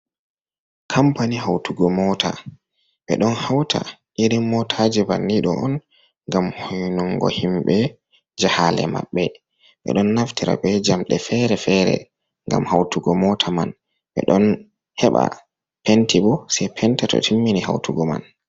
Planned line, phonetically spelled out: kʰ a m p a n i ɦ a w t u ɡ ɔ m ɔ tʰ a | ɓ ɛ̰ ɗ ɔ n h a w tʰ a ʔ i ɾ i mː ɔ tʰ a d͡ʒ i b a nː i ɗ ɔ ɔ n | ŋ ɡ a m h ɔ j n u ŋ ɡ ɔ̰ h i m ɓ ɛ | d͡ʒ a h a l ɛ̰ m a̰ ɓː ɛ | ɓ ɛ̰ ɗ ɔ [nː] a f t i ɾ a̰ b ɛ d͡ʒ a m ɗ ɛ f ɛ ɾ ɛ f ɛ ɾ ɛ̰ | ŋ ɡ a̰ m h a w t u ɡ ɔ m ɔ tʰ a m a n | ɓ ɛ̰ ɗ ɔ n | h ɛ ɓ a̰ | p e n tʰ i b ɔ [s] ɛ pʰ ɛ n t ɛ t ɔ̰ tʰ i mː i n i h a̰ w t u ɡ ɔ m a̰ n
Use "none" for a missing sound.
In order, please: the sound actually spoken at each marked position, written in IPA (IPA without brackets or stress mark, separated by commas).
nː, s